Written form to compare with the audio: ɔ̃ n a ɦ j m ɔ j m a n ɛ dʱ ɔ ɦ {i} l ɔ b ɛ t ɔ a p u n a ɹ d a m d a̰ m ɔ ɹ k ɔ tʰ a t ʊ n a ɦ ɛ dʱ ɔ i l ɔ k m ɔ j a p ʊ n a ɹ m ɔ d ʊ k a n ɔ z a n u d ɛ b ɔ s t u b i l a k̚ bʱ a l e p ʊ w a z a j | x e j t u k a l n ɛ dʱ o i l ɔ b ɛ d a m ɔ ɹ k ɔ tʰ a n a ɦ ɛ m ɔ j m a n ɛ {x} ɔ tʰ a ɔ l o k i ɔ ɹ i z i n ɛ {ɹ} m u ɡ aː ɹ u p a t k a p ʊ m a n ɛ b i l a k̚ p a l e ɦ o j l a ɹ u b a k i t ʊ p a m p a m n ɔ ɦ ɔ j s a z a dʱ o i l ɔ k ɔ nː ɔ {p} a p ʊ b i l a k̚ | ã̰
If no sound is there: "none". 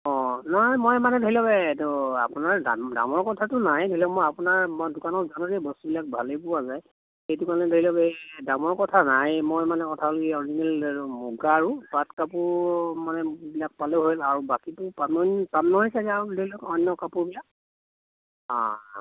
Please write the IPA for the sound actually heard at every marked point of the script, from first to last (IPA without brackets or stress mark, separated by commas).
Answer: i, k, l, k